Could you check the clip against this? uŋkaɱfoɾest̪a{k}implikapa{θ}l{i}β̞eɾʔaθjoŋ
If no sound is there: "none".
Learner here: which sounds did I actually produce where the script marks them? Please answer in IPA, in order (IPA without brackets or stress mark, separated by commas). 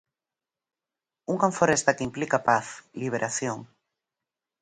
k, θ, i